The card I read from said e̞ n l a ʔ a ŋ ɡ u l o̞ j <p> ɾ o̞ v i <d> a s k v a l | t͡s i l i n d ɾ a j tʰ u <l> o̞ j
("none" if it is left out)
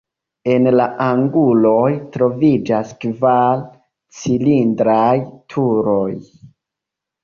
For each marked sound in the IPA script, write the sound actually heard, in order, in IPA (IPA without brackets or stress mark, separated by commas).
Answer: t, d͡ʒ, ɾ